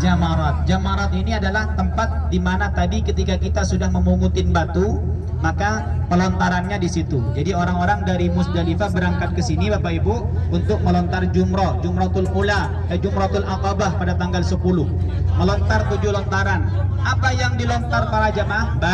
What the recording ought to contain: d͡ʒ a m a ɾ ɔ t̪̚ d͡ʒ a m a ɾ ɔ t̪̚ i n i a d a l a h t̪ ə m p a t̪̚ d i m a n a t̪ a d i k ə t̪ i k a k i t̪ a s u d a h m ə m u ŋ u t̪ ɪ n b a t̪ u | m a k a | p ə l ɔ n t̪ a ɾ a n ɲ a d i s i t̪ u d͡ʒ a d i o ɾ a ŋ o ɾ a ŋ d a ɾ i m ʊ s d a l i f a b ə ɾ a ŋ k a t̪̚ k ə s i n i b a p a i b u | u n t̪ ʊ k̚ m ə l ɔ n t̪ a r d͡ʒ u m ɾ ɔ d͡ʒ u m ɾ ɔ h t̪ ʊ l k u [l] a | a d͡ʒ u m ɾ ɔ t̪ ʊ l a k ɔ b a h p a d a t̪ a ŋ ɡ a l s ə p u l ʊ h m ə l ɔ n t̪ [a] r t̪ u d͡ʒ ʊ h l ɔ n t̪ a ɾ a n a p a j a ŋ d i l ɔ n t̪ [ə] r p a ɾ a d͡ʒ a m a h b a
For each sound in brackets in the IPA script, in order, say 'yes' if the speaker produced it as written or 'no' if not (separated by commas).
yes, yes, no